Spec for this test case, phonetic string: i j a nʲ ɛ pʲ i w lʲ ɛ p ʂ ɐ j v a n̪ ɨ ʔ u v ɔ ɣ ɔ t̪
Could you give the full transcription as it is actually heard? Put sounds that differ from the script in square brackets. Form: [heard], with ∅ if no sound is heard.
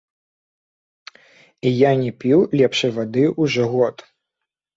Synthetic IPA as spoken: i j a nʲ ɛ pʲ i w lʲ ɛ p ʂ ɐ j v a [d̪] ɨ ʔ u [ʐ] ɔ ɣ ɔ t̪